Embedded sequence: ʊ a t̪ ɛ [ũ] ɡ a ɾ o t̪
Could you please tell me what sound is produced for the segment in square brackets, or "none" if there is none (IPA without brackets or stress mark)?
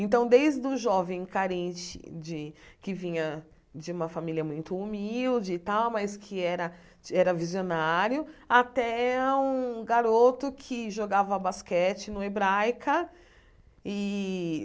ũ